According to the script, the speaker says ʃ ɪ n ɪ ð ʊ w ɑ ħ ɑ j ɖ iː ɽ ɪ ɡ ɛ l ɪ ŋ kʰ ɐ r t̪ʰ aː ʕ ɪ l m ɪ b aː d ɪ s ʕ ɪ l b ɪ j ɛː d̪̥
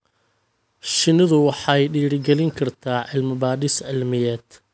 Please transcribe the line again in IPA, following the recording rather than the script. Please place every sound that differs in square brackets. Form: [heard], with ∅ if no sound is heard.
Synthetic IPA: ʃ ɪ n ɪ ð ʊ w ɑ ħ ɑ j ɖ iː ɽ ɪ ɡ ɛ l ɪ ŋ kʰ ɐ r t̪ʰ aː ʕ ɪ l m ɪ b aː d ɪ s ʕ ɪ l [m] ɪ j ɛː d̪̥